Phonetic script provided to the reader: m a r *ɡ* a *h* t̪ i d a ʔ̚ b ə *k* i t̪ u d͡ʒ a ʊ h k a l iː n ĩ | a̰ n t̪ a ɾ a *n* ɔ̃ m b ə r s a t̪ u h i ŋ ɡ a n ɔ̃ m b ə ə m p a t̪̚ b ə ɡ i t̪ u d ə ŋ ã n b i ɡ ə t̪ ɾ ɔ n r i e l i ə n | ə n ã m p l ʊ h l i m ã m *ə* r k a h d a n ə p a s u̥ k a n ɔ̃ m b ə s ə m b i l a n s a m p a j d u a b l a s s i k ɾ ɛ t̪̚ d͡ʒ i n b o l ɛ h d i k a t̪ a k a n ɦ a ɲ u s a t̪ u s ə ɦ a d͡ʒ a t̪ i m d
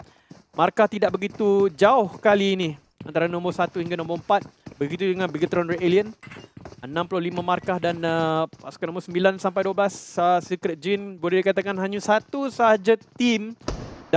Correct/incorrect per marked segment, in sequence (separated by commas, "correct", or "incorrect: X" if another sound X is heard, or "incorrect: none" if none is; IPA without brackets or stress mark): incorrect: k, correct, incorrect: ɡ, correct, incorrect: a